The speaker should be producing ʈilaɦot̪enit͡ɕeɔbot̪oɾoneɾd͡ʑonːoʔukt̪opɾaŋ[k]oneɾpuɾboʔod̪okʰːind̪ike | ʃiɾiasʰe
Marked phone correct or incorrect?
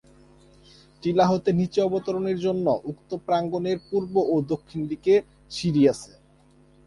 incorrect